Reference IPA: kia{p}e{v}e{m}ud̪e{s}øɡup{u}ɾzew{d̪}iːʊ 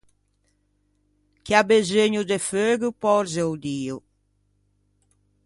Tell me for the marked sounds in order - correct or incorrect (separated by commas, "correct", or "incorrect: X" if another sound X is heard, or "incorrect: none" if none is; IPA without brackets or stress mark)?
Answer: incorrect: b, incorrect: z, incorrect: ɲ, incorrect: f, incorrect: ɔ, correct